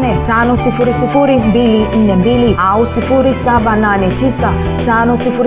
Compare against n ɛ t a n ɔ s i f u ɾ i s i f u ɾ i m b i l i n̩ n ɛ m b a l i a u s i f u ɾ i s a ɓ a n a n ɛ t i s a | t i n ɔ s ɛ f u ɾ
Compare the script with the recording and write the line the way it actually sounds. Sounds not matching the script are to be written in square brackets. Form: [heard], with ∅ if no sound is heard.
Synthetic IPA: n ɛ t a n ɔ s i f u ɾ i s i f u ɾ i m b i l i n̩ n ɛ m b [i] l i a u s i f u ɾ i s a ɓ a n a n ɛ t i s a | t [a] n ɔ s [i] f u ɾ